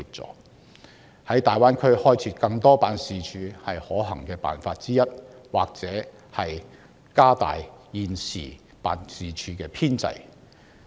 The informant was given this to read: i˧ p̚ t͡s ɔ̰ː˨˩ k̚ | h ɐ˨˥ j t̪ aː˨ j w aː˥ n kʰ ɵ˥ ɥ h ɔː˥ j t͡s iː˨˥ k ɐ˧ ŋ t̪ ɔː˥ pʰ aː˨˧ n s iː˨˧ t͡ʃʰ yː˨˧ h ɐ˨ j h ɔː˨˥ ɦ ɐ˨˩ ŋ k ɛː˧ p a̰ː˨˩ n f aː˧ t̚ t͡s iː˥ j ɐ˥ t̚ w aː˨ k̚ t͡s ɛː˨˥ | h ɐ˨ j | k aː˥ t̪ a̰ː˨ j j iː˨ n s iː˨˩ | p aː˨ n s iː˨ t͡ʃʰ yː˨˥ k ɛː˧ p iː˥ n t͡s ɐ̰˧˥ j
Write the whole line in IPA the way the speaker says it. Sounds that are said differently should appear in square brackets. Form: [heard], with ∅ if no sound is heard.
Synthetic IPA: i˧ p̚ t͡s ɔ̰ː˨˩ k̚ | h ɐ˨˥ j t̪ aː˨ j w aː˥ n kʰ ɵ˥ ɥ h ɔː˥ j [t͡sʰ] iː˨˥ k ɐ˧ ŋ t̪ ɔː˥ [p] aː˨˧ n s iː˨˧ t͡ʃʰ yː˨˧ h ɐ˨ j h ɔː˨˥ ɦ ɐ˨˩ ŋ k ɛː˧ p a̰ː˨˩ n f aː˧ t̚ t͡s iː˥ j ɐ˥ t̚ w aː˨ k̚ t͡s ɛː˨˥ | h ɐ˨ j | k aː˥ t̪ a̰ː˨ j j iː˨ n s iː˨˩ | p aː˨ n s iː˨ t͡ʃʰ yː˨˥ k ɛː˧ [pʰ] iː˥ n t͡s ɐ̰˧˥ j

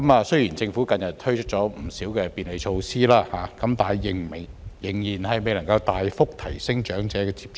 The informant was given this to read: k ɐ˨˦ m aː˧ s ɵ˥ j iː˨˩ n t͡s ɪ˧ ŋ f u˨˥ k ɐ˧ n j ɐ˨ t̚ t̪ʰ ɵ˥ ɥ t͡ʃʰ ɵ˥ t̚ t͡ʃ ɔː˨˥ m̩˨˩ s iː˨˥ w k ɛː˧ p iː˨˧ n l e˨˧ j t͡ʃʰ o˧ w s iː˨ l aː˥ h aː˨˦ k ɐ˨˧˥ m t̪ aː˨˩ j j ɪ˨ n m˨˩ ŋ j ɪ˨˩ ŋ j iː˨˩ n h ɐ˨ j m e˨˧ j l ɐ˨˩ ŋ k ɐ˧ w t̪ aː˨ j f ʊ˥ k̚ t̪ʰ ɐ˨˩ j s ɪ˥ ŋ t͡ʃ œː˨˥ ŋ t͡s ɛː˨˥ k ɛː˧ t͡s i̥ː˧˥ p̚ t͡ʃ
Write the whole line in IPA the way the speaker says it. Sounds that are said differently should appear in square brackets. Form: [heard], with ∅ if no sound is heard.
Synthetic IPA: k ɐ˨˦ m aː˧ s ɵ˥ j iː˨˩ n t͡s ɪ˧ ŋ f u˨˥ k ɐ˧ n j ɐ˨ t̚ t̪ʰ ɵ˥ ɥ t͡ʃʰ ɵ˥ t̚ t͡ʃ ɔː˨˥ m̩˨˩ s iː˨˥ w k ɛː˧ p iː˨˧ n l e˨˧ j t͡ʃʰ o˧ w s [iː˥] l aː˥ h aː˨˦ k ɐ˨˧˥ m t̪ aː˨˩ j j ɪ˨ [ŋ] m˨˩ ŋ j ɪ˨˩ ŋ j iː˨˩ n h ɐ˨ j m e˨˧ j l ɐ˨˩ ŋ k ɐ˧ w t̪ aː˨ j f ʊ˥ k̚ t̪ʰ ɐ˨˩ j s ɪ˥ ŋ t͡ʃ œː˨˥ ŋ t͡s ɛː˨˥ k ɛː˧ t͡s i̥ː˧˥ p̚ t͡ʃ

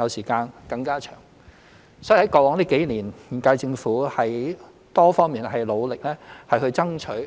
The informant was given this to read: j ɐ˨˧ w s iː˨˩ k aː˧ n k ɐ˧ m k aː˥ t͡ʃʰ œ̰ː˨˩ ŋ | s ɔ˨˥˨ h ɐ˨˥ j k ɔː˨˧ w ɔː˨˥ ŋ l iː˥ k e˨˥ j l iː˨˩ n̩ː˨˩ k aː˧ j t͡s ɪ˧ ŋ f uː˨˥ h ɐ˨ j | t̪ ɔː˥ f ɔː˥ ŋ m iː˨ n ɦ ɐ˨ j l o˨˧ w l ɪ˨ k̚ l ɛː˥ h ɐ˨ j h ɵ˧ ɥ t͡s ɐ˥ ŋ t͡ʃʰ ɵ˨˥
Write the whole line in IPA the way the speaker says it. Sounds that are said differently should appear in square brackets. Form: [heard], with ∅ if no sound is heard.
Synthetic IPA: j ɐ˨˧ w s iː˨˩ k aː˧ n k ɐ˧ [ŋ] k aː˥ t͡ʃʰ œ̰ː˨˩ ŋ | s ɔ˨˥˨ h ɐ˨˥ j k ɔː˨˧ w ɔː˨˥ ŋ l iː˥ k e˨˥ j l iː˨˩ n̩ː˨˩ k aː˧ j t͡s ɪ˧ ŋ f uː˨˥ h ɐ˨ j | t̪ ɔː˥ f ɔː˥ ŋ m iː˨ n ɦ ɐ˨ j l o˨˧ w l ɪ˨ k̚ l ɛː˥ h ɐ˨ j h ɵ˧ ɥ t͡s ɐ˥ ŋ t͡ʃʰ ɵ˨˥

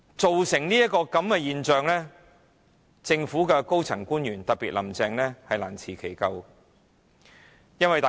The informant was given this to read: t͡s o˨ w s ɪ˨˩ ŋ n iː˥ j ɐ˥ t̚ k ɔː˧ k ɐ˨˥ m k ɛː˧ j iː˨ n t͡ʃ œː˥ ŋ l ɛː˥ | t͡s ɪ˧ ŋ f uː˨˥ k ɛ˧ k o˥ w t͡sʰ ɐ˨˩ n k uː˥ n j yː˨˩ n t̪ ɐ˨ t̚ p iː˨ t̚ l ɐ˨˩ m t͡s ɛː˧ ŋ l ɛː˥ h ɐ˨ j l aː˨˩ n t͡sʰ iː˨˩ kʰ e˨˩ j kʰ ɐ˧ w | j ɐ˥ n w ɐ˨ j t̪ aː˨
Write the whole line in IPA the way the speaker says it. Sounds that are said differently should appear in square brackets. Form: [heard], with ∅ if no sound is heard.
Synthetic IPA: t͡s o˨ w s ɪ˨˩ ŋ n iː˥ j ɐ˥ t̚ k ɔː˧ k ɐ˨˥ m k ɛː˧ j iː˨ n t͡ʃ [œː˨˧] ŋ l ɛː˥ | t͡s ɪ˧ ŋ f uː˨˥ k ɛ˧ k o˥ w t͡sʰ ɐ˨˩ [ŋ] k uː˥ n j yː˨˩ n t̪ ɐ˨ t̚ p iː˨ t̚ l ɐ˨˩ m t͡s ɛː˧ ŋ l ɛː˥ h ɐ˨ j l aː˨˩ n t͡sʰ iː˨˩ kʰ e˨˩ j [k] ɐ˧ w | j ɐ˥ n w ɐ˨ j t̪ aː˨

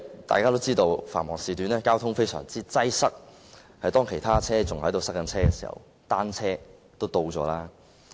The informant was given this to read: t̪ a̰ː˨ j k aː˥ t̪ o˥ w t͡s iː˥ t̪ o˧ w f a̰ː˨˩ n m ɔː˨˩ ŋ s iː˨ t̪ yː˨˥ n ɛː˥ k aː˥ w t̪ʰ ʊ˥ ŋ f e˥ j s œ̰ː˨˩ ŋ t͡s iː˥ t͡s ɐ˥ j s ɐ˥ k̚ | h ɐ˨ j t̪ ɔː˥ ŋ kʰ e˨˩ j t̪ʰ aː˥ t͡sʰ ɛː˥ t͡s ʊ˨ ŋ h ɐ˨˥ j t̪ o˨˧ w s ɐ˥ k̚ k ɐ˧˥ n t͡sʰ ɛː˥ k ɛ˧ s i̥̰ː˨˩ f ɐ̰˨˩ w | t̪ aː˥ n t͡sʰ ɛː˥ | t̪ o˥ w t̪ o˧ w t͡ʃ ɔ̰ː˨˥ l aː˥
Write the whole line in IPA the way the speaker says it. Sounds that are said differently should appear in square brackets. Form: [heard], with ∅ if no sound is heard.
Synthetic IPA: t̪ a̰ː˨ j k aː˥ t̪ o˥ w t͡s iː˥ t̪ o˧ w f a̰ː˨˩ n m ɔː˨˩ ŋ s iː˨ t̪ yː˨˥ n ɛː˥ k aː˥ w t̪ʰ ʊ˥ ŋ f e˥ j s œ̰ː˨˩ ŋ t͡s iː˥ t͡s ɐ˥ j s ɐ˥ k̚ | h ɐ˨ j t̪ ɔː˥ ŋ kʰ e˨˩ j t̪ʰ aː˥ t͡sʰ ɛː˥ t͡s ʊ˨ ŋ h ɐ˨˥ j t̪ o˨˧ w s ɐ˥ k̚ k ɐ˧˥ n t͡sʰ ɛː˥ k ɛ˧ s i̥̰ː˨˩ [h] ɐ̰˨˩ w | t̪ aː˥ n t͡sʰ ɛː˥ | t̪ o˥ w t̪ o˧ w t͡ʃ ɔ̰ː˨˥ l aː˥

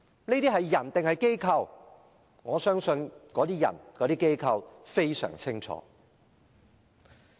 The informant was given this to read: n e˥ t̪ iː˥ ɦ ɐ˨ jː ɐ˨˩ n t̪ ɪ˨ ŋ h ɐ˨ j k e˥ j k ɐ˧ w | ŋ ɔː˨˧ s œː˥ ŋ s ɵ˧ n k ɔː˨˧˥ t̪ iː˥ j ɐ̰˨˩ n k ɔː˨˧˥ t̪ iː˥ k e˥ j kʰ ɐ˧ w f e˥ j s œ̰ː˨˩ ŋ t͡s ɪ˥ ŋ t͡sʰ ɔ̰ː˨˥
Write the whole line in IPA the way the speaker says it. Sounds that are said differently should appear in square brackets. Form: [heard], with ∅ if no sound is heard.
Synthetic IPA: n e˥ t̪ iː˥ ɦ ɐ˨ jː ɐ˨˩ n t̪ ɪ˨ ŋ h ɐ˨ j k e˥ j [kʰ] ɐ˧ w | ŋ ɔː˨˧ s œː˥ ŋ s ɵ˧ n k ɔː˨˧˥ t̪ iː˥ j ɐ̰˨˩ n k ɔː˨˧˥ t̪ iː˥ k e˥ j kʰ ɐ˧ w f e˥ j s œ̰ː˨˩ ŋ [t͡sʰ] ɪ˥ ŋ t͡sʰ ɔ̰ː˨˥

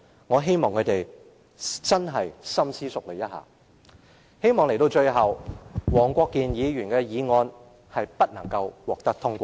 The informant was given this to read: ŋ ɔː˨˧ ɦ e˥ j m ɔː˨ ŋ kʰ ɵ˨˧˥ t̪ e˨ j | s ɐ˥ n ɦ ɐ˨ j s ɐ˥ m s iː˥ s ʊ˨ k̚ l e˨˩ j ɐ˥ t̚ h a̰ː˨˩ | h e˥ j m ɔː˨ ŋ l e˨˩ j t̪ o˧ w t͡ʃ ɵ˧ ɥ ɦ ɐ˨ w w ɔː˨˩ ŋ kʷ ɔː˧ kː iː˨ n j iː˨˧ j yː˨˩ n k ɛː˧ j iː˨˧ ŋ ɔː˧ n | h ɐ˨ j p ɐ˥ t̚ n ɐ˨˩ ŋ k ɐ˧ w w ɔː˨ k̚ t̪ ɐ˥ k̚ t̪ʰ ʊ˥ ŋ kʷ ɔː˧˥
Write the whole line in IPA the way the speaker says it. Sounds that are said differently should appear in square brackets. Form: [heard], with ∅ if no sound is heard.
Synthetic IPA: ŋ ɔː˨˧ ɦ e˥ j m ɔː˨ ŋ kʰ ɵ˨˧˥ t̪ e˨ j | [t͡s] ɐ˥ n ɦ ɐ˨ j s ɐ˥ m s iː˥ s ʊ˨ k̚ l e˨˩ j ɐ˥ t̚ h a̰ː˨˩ | h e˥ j m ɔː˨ ŋ l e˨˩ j t̪ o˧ w t͡ʃ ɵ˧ ɥ ɦ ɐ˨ w w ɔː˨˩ ŋ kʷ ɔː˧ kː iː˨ n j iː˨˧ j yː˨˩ n k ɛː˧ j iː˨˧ ŋ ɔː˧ n | h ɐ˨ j p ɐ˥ t̚ n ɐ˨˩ ŋ k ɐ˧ w w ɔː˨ k̚ t̪ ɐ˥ k̚ t̪ʰ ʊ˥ ŋ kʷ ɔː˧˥

